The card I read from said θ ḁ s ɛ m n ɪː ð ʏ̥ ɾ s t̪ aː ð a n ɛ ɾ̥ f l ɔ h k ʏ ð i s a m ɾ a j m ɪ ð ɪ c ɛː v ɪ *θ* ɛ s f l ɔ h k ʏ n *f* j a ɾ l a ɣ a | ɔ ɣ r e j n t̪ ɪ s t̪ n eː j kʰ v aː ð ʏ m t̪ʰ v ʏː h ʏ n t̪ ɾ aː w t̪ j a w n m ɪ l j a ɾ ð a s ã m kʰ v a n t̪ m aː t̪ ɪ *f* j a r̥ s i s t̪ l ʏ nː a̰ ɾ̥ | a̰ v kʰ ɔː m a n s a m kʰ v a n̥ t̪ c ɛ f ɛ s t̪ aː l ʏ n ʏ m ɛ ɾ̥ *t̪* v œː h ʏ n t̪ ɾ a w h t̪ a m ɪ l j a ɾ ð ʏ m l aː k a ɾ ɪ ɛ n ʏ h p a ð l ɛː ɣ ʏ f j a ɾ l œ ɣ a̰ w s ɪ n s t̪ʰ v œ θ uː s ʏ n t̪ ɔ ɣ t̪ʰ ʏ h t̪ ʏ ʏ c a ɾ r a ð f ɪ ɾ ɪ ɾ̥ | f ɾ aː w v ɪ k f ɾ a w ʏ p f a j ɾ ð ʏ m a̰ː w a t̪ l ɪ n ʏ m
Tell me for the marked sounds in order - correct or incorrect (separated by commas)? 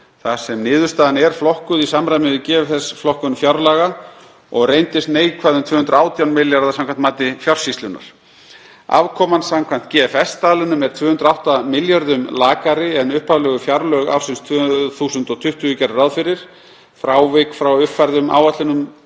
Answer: correct, correct, correct, incorrect